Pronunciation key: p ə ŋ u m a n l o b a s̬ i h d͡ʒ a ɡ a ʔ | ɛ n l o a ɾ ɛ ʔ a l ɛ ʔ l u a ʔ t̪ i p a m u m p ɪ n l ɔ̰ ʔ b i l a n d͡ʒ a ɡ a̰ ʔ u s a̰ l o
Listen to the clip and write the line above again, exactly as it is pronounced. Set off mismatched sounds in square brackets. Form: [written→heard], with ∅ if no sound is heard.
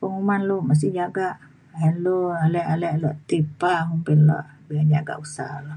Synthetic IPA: p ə ŋ u m a n l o [b→m] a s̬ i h d͡ʒ a ɡ a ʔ | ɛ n l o a [ɾ→l] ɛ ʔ a l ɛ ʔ l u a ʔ t̪ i p a m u m p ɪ n l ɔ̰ ʔ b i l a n d͡ʒ a ɡ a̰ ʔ u s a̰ l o

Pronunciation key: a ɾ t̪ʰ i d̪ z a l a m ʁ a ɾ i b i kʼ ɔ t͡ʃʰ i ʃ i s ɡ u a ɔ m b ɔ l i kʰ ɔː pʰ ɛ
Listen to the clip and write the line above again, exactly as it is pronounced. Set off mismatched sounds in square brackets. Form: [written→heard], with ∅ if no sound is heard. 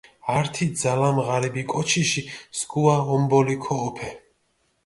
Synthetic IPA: a ɾ t̪ʰ i d̪ z a l a m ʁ a ɾ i b i kʼ ɔ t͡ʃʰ i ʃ i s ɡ u a ɔ m b ɔ l i kʰ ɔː pʰ ɛ

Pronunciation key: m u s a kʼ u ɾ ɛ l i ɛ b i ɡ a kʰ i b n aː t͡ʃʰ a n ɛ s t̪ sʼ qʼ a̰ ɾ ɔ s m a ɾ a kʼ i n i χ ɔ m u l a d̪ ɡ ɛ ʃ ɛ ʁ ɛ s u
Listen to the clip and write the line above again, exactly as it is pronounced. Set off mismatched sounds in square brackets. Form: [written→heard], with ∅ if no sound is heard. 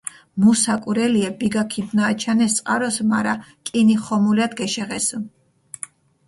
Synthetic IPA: m u s a kʼ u ɾ ɛ l i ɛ b i ɡ a kʰ i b n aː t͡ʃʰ a n ɛ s t̪ sʼ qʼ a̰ ɾ ɔ s m a ɾ a kʼ i n i χ ɔ m u l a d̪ ɡ ɛ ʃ ɛ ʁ ɛ s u

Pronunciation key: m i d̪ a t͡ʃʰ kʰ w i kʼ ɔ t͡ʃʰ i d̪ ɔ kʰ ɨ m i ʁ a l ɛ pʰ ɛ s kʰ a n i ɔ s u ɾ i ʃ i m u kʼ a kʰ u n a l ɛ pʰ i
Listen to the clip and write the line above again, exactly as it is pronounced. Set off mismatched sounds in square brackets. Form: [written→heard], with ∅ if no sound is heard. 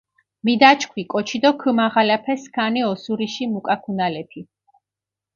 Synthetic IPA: m i d̪ a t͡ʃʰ kʰ w i kʼ ɔ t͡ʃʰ i d̪ ɔ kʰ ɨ m [i→a] ʁ a l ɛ pʰ ɛ s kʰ a n i ɔ s u ɾ i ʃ i m u kʼ a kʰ u n a l ɛ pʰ i

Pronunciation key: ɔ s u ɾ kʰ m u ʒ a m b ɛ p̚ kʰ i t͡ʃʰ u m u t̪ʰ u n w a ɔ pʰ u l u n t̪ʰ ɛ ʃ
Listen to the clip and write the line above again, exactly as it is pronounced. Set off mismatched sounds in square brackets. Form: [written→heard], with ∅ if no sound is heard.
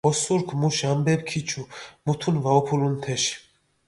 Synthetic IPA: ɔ s u ɾ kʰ m u [ʒ→ʃ] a m b ɛ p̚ kʰ i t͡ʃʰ u m u t̪ʰ u n [w→v] a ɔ pʰ u l u n t̪ʰ ɛ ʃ

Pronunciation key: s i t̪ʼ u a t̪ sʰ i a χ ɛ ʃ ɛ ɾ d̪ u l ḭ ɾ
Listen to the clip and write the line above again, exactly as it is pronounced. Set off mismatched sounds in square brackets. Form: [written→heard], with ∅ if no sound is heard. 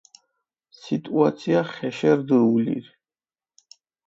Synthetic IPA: s i t̪ʼ u a t̪ sʰ i a χ ɛ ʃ ɛ ɾ d̪ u l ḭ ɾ

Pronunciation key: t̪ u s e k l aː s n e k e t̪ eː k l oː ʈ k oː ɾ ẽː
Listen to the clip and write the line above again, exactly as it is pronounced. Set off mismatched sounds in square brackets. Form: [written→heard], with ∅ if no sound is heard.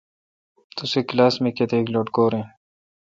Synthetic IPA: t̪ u s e k l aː s [n→m] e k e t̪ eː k l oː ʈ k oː ɾ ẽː

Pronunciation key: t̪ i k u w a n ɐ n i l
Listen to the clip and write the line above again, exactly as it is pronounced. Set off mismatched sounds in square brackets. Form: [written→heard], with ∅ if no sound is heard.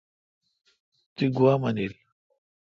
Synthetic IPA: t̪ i [k→ɡ] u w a [n→m] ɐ n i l

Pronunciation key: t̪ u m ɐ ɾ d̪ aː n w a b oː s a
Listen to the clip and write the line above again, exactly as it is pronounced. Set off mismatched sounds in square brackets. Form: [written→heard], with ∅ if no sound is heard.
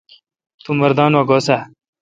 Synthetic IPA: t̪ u m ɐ ɾ d̪ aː n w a [b→ɡ] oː s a

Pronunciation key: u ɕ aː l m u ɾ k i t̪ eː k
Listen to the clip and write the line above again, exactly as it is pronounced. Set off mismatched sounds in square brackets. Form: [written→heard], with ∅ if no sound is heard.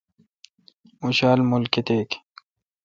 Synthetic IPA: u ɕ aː l m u [ɾ→l] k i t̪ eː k

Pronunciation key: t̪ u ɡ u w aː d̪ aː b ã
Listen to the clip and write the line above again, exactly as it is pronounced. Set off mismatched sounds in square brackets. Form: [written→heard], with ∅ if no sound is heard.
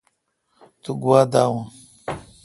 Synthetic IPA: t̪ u ɡ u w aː d̪ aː [b→w] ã

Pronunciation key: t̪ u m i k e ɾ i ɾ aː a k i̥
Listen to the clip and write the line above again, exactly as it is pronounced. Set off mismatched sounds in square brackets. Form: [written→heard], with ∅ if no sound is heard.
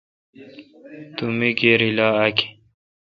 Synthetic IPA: t̪ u m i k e ɾ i [ɾ→l] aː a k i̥

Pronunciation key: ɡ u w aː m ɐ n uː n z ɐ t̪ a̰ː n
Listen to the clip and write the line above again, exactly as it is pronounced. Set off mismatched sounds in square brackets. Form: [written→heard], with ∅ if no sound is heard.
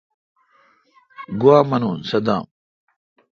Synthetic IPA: ɡ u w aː m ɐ n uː n [z→s] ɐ [t̪→d̪] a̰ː [n→m]

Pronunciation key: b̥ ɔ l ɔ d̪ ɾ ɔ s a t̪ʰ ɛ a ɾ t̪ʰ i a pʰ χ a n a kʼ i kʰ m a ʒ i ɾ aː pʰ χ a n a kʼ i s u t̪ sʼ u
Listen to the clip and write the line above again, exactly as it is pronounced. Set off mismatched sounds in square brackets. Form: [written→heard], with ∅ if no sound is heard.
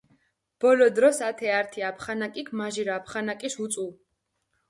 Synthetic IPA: b̥ ɔ l ɔ d̪ ɾ ɔ s a t̪ʰ ɛ a ɾ t̪ʰ i a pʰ χ a n a kʼ i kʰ m a ʒ i ɾ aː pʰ χ a n a kʼ i s u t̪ sʼ u

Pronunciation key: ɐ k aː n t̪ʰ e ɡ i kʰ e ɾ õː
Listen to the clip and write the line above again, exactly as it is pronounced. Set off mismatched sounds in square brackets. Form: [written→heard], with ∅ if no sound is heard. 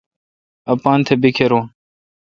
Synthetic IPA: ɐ [k→p] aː n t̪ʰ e [ɡ→b] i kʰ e ɾ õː

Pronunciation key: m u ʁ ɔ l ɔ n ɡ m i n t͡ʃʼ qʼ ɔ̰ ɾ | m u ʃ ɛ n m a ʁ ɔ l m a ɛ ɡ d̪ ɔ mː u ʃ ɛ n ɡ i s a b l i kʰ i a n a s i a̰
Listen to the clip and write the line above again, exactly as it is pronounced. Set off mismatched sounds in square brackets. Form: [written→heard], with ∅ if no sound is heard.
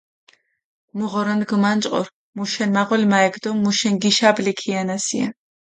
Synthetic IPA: m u ʁ ɔ [l→ɾ] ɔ n ɡ m [i→a] n t͡ʃʼ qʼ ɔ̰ ɾ | m u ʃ ɛ n m a ʁ ɔ l m a ɛ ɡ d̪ ɔ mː u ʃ ɛ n ɡ i [s→ʃ] a b l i kʰ i a n a s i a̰

